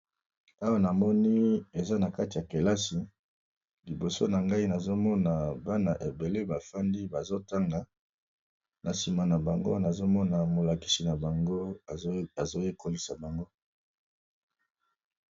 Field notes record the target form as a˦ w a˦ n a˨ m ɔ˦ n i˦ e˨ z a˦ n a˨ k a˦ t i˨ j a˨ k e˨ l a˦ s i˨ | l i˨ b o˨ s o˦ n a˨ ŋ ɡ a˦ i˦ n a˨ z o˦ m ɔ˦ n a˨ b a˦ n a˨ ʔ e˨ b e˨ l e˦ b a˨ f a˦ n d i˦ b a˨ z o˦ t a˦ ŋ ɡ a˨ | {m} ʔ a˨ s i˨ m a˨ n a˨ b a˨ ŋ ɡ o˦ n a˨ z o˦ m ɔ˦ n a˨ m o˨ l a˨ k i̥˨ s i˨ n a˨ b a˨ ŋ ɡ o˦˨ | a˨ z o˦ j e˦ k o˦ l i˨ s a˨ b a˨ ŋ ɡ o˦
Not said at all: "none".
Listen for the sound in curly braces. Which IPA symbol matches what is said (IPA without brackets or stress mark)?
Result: n